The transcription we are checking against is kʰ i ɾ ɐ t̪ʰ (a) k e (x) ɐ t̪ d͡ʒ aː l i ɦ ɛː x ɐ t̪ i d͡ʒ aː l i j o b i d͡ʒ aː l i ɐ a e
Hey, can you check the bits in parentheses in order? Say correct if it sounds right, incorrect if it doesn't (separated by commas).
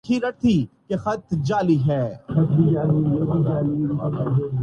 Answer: incorrect, correct